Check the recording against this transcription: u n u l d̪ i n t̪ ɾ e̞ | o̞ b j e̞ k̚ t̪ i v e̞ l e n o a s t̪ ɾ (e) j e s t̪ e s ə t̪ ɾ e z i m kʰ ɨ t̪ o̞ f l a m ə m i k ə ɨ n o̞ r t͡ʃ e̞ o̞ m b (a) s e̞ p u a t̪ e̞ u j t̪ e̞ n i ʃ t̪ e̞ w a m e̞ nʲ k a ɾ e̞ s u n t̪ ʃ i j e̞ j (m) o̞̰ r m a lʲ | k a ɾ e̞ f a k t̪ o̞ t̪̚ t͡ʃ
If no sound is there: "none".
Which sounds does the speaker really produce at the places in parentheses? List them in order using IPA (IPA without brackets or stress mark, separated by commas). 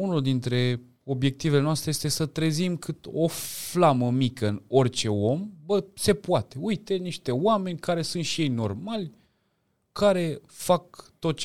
e, ə, n